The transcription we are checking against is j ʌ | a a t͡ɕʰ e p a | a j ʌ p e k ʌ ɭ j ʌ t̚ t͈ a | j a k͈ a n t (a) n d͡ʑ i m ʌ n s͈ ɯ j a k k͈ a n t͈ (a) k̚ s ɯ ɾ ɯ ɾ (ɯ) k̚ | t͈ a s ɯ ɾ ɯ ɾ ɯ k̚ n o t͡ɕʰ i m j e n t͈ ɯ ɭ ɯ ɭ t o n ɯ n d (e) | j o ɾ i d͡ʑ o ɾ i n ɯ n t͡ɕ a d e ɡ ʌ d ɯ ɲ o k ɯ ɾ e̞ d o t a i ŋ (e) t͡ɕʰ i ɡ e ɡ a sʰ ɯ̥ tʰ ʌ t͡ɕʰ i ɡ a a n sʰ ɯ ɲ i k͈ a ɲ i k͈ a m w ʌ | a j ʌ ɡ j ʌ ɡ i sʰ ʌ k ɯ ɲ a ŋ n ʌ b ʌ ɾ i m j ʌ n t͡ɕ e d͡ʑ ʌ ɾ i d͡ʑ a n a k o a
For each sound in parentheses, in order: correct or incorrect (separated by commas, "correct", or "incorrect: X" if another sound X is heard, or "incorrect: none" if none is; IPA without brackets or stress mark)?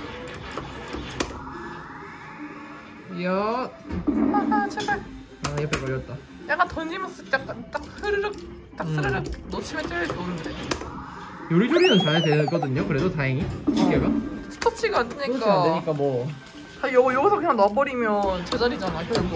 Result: incorrect: ʌ, correct, correct, correct, incorrect: i